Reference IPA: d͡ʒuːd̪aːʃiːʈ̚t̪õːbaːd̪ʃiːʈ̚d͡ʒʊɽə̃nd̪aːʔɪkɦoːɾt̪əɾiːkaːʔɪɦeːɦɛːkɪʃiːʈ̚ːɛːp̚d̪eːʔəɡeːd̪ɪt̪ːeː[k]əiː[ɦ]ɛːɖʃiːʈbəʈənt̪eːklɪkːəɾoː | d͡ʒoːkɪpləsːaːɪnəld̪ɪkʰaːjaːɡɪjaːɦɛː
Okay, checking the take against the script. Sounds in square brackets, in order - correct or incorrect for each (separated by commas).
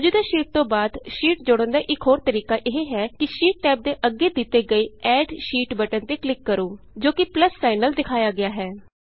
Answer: incorrect, incorrect